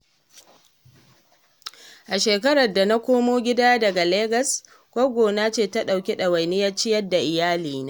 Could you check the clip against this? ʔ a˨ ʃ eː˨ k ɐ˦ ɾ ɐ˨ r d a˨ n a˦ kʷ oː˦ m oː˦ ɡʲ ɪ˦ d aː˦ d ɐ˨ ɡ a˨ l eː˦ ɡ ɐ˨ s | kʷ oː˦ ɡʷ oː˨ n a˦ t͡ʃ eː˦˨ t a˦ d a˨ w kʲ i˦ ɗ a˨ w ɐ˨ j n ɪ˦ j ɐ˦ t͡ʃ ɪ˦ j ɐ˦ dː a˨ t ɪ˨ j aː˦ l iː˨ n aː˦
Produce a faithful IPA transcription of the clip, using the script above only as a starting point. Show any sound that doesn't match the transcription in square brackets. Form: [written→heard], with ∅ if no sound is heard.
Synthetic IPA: ʔ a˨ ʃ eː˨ k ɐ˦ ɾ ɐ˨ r d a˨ n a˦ kʷ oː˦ m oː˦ ɡʲ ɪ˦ d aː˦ d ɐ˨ ɡ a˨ l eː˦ ɡ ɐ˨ s | kʷ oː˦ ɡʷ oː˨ n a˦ t͡ʃ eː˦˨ t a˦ [d→ɗ] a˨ w kʲ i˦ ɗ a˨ w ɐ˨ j n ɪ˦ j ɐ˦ t͡ʃ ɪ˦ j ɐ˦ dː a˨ [t→ʔ] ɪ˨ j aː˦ l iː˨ n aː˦